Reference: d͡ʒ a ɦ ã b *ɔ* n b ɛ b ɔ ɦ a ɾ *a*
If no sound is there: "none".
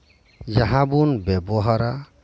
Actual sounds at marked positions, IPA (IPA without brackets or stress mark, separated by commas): u, a